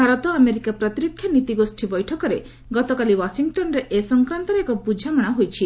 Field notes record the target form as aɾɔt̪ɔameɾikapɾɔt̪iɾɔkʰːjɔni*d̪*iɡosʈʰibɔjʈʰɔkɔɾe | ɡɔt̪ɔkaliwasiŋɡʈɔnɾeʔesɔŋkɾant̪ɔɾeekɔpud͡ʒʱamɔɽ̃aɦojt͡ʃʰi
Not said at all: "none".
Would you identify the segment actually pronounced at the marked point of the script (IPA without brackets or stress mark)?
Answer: t̪